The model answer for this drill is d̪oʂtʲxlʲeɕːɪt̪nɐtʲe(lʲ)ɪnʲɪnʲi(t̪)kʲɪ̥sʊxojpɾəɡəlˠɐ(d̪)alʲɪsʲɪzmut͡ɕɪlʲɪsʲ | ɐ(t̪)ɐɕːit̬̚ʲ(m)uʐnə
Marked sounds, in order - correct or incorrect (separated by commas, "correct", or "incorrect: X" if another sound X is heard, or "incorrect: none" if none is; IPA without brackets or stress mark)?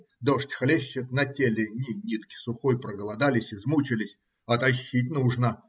correct, correct, correct, correct, incorrect: n